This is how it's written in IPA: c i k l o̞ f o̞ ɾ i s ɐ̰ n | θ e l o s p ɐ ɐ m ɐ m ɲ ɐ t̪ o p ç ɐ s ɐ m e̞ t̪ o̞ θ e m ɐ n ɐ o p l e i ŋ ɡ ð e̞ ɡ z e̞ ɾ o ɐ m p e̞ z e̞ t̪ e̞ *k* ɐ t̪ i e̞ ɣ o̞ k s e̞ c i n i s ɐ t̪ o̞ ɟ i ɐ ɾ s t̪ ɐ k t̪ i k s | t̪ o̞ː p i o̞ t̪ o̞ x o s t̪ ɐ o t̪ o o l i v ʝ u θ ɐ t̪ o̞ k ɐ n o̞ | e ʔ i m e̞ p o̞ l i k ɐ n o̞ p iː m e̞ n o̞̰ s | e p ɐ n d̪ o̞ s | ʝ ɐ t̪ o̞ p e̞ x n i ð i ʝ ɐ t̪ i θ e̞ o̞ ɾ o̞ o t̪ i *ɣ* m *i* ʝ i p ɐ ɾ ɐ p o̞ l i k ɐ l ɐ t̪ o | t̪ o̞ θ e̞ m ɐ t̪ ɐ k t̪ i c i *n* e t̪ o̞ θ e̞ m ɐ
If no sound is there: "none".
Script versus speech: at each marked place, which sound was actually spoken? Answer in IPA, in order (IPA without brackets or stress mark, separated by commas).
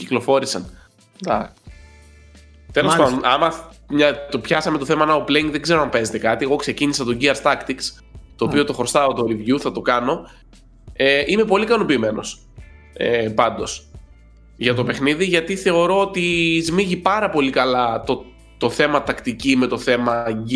k, z, i, m